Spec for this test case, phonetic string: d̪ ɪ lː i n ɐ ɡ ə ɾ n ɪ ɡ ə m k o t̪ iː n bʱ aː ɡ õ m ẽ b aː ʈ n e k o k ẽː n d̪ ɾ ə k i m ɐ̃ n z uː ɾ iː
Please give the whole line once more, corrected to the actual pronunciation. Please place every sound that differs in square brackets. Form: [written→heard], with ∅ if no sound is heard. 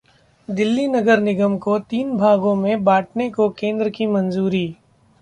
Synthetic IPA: d̪ ɪ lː i n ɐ ɡ ə ɾ n ɪ ɡ ə m k o t̪ iː n bʱ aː ɡ õ m ẽ b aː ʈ n e k o k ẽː n d̪ ɾ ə k i m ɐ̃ n z uː ɾ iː